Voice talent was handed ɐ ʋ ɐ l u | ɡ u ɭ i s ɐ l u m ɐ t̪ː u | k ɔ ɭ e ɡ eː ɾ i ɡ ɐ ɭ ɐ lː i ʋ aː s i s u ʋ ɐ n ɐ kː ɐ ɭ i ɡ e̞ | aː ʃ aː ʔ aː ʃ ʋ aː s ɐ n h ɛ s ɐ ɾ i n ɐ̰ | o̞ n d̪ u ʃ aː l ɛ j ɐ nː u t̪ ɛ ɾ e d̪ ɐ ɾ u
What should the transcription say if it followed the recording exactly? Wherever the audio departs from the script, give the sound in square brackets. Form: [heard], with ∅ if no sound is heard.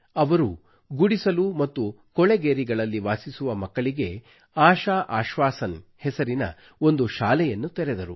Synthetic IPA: ɐ ʋ ɐ [ɾ] u | ɡ u [ɽ] i s ɐ l u m ɐ t̪ː u | k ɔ ɭ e ɡ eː ɾ i ɡ ɐ ɭ ɐ lː i ʋ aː s i s u ʋ ɐ [m] ɐ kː ɐ ɭ i ɡ e̞ | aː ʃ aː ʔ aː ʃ ʋ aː s ɐ n h ɛ s ɐ ɾ i n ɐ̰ | o̞ n d̪ u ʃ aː l ɛ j ɐ nː u t̪ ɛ ɾ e d̪ ɐ ɾ u